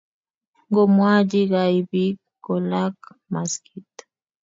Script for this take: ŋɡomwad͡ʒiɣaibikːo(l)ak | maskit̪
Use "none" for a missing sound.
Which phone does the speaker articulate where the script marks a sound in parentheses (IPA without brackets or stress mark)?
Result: l